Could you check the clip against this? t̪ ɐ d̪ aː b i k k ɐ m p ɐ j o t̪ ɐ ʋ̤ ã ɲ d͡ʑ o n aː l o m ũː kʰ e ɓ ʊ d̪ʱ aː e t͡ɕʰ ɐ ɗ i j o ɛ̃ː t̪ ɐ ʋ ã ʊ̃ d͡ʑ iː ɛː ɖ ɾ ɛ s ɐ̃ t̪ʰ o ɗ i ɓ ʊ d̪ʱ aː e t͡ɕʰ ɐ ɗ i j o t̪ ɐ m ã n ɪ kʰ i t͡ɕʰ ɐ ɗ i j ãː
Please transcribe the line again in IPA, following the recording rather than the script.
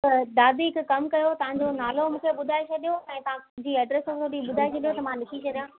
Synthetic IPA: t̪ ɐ d̪ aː b i k k ɐ m k ɐ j o t̪ ɐ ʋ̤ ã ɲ d͡ʑ o n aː l o m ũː kʰ e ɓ ʊ d̪ʱ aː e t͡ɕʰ ɐ ɗ i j o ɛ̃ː t̪ ɐ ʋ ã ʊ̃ d͡ʑ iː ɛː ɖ ɾ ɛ s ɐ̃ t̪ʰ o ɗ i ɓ ʊ d̪ʱ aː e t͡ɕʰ ɐ ɗ i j o t̪ ɐ m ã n ɪ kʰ i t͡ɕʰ ɐ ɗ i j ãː